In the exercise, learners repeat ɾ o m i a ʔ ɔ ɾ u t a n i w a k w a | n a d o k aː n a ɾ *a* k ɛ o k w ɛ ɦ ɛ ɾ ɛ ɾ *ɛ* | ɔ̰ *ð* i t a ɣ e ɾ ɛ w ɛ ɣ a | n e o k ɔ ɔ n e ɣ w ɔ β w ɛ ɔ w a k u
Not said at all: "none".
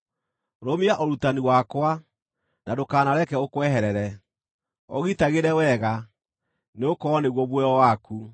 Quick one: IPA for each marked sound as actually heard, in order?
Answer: ɛ, ɛ, ɣ

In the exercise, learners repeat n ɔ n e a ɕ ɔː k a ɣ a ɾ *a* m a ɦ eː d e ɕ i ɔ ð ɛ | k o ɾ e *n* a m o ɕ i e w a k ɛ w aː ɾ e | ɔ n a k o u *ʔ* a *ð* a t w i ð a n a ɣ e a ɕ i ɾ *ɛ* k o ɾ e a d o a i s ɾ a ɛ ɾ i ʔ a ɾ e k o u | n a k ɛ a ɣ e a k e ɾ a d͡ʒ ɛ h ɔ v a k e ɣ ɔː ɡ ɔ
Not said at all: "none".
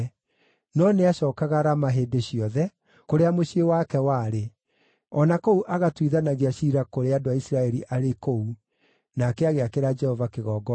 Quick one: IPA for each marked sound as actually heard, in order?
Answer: a, none, ʔ, ɣ, a

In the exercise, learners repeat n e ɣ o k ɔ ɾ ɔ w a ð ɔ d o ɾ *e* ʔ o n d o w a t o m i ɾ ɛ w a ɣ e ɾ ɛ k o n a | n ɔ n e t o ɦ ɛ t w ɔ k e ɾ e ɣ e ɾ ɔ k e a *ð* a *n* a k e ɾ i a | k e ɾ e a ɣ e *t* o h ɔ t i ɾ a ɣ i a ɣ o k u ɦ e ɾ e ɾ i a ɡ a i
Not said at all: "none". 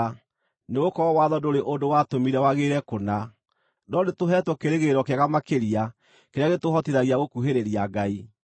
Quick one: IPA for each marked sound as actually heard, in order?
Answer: e, ɣ, m, t

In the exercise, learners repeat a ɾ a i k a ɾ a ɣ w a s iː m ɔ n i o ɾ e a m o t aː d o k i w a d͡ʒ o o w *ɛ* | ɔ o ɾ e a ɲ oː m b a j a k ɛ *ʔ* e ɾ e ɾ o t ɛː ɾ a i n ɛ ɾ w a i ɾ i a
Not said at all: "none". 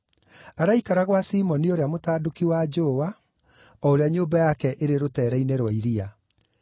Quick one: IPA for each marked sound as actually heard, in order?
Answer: a, ʔ

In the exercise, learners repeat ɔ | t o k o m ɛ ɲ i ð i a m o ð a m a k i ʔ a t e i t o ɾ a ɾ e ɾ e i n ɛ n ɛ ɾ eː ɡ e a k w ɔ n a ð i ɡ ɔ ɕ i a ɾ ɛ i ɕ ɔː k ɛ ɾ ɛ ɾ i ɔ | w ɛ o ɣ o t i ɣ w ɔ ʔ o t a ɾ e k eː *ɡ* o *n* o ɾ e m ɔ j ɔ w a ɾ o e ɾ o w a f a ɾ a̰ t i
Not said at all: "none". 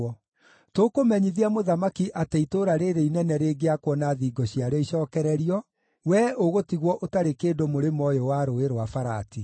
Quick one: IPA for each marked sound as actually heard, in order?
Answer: d, m

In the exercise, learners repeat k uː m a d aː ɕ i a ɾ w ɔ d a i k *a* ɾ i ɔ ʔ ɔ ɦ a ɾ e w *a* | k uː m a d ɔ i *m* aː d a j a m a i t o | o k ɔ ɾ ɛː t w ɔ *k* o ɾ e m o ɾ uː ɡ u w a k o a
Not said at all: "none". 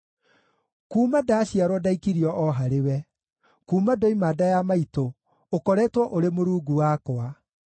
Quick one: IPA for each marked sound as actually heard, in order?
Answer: i, ɛ, m, ʔ

